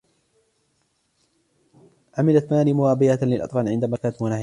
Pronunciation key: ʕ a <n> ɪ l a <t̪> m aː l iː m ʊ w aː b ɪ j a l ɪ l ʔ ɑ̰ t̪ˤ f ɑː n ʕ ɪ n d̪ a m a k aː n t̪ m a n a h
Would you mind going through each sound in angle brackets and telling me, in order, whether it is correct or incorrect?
incorrect, correct

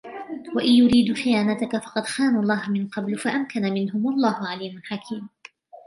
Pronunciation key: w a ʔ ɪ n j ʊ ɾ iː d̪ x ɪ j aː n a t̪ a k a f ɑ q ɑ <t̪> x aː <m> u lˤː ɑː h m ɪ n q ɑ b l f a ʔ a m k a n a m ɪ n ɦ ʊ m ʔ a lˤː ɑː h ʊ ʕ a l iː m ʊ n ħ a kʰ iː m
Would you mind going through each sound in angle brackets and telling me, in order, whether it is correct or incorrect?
incorrect, incorrect

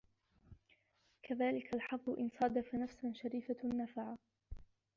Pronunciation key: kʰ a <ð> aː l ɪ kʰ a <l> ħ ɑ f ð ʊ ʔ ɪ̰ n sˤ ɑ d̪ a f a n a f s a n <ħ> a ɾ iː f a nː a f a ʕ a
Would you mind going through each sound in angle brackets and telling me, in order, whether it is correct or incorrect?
correct, correct, incorrect

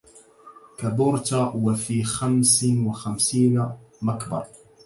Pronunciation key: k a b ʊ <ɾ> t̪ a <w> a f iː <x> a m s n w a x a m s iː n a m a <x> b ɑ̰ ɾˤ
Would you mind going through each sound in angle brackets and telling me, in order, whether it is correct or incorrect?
correct, correct, correct, incorrect

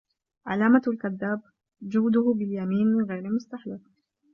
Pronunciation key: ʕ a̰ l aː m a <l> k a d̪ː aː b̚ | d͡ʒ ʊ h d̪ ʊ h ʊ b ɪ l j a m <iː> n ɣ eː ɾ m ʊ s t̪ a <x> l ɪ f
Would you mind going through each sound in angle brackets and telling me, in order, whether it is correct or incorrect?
correct, correct, incorrect

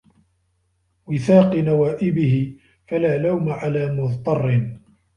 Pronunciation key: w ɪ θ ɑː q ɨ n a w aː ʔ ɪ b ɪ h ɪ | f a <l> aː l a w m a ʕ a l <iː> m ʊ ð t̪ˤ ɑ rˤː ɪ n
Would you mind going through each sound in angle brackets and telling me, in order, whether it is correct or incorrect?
correct, incorrect

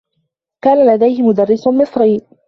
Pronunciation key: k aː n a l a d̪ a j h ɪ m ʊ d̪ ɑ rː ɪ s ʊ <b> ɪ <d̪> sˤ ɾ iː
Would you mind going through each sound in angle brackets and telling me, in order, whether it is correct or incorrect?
incorrect, incorrect

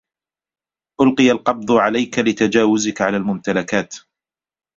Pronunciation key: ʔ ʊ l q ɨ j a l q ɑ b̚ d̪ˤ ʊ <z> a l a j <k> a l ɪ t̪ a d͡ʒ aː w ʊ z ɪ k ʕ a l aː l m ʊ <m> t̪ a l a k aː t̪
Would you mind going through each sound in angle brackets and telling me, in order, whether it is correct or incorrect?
incorrect, correct, correct

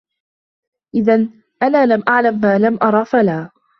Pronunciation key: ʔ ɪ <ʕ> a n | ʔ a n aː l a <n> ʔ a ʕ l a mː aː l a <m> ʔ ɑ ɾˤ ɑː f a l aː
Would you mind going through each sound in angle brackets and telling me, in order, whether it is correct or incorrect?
incorrect, incorrect, correct

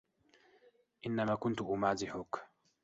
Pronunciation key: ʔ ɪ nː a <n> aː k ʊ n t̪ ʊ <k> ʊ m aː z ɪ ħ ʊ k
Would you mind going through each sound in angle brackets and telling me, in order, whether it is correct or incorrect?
incorrect, incorrect

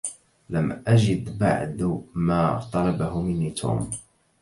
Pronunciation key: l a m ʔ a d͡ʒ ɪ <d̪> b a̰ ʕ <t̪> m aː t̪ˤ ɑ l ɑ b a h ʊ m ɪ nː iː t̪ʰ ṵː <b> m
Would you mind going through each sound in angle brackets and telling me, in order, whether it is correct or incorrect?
correct, incorrect, incorrect

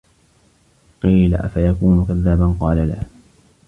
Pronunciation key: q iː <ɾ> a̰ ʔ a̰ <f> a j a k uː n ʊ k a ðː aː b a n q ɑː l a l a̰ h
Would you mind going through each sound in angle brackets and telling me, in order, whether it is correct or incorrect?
incorrect, correct

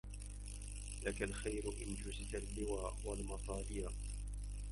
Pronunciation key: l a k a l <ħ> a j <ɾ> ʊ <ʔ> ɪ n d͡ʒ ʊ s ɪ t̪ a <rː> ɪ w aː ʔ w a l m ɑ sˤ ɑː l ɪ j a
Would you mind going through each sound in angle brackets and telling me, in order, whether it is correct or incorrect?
incorrect, correct, correct, incorrect

